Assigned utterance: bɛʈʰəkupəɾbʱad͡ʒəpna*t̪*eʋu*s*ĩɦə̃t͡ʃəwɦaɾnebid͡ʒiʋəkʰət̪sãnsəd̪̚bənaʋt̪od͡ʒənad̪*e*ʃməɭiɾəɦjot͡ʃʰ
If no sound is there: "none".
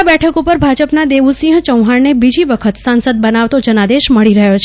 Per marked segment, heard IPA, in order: d̪, s, e

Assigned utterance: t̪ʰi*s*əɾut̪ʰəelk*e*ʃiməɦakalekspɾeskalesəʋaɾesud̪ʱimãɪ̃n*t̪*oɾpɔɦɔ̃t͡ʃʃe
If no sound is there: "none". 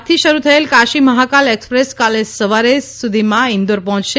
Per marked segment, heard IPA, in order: ʃ, a, d̪

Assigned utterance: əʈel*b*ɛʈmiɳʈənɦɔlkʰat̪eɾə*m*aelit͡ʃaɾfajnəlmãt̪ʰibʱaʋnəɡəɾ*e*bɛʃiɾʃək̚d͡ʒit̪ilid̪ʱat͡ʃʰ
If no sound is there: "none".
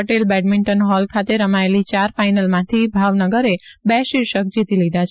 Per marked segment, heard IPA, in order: b, m, e

